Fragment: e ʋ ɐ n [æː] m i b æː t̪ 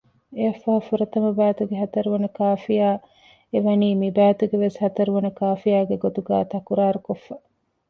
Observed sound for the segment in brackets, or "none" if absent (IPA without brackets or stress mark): iː